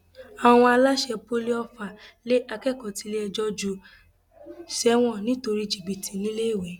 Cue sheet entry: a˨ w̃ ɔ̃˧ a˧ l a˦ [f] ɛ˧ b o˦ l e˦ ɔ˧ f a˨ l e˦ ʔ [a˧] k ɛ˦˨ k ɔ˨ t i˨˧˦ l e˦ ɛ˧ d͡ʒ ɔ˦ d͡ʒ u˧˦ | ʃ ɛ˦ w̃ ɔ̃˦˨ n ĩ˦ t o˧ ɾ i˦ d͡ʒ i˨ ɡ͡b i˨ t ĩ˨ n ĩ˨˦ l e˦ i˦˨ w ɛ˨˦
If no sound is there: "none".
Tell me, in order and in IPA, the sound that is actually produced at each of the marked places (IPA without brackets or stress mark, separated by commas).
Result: ʃ, a˧